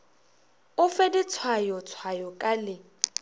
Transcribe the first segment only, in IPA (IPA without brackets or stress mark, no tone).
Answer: ʊ